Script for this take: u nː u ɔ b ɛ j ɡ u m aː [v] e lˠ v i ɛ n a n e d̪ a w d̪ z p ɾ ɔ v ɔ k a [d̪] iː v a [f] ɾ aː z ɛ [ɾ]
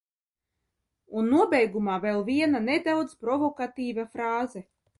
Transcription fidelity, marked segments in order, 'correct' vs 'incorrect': correct, incorrect, correct, incorrect

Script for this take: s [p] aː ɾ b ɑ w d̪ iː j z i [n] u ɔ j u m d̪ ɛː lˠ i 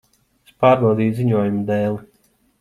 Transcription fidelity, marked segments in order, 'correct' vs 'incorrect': correct, incorrect

